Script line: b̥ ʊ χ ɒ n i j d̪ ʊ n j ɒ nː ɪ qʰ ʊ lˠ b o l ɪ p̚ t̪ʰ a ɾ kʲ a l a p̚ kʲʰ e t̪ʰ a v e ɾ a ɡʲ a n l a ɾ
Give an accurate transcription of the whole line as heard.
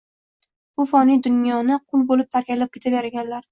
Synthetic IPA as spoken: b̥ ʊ f ɒ n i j d̪ ʊ n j ɒ n ɪ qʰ ʊ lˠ b o l ɪ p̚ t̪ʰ a ɾ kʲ a l a p̚ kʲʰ e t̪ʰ a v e ɾ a ɡʲ a n l a ɾ